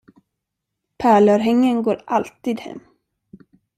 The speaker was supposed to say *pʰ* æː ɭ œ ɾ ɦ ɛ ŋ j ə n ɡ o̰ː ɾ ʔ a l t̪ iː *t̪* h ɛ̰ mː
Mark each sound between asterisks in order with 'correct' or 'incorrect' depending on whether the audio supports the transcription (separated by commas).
correct, incorrect